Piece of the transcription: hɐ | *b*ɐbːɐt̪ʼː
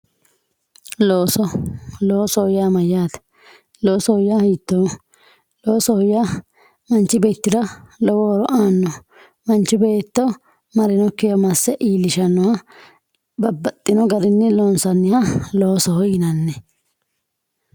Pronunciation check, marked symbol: correct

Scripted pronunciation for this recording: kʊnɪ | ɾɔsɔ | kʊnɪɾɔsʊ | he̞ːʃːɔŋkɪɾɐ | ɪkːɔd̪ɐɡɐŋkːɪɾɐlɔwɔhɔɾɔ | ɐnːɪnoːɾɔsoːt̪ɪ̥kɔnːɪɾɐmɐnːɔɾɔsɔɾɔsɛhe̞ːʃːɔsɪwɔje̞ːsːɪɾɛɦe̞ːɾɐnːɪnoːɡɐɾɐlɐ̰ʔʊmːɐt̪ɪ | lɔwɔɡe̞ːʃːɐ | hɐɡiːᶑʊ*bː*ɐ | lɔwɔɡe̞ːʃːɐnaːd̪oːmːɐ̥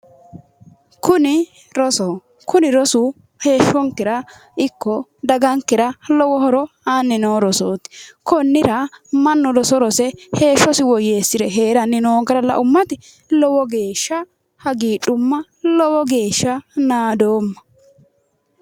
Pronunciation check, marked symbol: incorrect: mː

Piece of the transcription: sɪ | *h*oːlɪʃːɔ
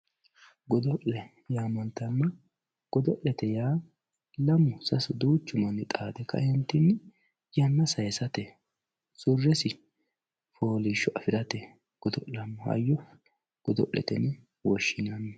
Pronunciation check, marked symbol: incorrect: f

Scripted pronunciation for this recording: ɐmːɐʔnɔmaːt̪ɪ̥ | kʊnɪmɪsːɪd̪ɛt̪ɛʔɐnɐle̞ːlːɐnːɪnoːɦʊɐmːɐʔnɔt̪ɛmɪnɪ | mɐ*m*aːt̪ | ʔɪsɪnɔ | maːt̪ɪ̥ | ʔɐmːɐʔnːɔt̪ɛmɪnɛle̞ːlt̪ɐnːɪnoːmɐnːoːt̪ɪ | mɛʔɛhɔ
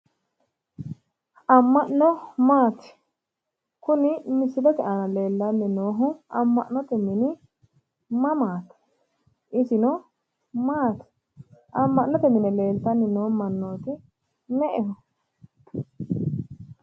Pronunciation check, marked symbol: correct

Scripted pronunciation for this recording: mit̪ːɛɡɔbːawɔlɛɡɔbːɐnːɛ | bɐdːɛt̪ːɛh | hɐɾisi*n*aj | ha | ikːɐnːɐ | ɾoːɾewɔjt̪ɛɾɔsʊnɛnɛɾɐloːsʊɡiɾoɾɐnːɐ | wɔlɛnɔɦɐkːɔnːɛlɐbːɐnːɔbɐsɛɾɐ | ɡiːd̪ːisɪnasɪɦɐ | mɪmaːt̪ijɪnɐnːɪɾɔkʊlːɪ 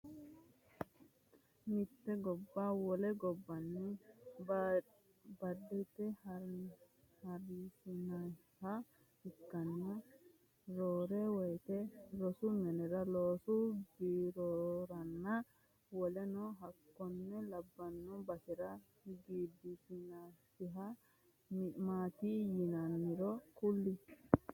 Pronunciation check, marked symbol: correct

